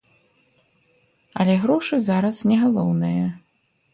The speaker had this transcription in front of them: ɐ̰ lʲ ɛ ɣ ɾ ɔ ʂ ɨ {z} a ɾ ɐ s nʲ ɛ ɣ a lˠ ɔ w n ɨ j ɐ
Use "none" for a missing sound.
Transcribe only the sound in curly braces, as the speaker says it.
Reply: z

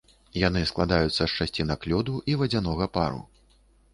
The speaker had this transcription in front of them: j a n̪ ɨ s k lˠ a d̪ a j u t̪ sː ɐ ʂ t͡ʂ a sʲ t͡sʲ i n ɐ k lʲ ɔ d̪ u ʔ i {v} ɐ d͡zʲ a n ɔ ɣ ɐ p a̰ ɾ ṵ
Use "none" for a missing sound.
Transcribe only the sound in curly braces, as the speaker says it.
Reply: v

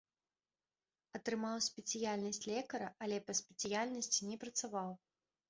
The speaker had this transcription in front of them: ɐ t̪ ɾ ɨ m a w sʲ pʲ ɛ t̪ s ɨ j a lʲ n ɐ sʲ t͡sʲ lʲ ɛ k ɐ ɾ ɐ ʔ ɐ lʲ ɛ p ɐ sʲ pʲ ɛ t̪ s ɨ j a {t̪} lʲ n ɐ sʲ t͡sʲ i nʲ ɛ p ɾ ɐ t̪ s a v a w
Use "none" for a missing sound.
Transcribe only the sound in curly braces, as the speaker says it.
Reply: none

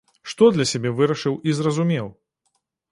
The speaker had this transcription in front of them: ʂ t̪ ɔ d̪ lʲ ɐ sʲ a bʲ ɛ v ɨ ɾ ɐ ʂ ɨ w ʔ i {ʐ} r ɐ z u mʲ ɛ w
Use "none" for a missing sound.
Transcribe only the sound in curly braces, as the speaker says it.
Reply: z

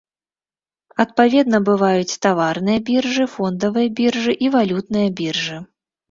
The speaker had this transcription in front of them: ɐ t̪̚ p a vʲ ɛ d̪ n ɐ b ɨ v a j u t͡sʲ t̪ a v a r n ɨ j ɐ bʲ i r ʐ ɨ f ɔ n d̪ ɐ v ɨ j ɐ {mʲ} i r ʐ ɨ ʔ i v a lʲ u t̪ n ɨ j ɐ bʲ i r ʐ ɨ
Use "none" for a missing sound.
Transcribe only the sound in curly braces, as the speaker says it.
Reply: bʲ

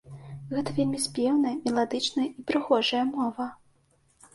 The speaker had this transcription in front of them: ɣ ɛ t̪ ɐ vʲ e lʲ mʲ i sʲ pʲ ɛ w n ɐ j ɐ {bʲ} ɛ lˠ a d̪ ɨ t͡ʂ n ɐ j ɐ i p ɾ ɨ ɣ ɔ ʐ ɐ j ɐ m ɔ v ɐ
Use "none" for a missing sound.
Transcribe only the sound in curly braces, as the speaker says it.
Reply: mʲ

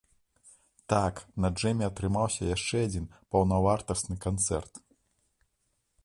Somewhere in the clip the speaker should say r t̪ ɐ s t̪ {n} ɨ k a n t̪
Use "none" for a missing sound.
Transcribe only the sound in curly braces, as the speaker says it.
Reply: n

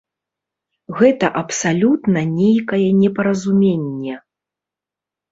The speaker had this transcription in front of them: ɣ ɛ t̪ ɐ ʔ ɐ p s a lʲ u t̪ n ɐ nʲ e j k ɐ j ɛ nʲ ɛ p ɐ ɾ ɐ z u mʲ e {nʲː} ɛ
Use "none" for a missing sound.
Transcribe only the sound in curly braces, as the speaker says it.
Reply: nʲː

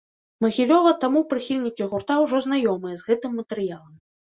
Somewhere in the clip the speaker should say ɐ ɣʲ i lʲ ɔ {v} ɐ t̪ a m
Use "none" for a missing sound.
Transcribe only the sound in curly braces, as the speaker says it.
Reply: v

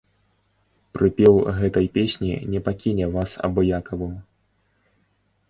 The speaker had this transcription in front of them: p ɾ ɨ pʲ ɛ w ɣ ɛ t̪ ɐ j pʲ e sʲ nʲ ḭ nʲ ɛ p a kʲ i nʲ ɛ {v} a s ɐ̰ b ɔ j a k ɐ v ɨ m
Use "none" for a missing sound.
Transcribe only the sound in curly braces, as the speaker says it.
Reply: v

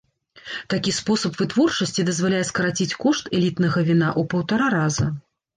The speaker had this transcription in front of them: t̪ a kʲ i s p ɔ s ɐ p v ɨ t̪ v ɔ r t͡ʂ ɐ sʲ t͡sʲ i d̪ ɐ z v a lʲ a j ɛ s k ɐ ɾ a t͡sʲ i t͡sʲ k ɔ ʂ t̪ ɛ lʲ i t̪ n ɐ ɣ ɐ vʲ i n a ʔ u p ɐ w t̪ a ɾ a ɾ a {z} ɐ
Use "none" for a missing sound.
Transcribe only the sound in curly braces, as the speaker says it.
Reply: z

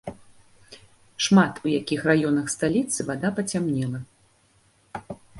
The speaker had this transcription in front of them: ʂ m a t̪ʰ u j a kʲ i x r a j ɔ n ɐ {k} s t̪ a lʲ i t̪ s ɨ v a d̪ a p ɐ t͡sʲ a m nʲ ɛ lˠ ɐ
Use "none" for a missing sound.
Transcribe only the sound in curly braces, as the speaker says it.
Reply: x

